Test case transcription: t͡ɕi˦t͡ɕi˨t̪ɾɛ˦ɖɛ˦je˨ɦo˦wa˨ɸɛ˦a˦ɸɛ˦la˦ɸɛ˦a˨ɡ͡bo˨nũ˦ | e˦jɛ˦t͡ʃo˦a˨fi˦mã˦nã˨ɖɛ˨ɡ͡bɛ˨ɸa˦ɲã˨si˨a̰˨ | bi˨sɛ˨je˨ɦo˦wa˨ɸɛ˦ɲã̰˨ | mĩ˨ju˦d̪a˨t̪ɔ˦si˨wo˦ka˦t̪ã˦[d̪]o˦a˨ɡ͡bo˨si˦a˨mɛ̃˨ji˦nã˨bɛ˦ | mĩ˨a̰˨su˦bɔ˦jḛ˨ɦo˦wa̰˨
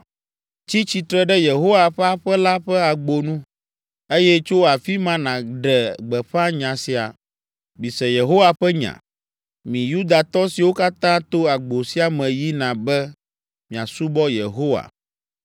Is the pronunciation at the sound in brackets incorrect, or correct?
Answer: incorrect: t̪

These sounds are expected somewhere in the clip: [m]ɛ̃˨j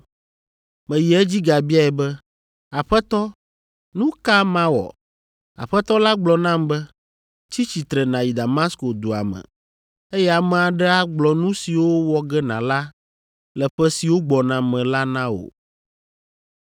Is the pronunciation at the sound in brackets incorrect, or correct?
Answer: correct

